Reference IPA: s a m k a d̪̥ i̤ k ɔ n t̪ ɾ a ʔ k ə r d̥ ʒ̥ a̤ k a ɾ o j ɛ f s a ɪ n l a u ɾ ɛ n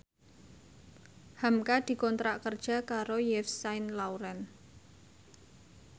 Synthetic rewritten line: h a m k a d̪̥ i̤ k ɔ n t̪ ɾ a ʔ k ə r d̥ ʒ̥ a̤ k a ɾ o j ɛ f s a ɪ n l a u ɾ ɛ n